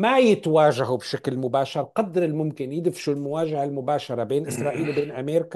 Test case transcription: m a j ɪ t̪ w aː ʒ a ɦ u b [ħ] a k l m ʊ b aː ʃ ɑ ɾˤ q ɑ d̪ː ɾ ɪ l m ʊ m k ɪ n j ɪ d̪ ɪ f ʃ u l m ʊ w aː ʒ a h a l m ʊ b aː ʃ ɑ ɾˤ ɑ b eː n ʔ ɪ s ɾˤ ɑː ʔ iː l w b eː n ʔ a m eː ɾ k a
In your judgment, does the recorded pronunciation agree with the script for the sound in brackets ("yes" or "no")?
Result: no